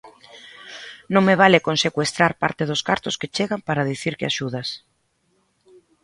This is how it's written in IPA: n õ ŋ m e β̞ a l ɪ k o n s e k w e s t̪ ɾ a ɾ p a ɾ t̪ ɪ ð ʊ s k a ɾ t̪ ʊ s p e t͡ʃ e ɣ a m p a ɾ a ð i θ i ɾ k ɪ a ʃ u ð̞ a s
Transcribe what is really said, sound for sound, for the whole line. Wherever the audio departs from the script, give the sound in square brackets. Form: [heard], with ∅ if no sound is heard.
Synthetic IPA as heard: n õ ŋ m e β̞ a l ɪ k o n s e k w e s t̪ ɾ a ɾ p a ɾ t̪ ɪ ð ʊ s k a ɾ t̪ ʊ s [k] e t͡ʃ e ɣ a m p a ɾ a ð i θ i ɾ k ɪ a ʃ u ð̞ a s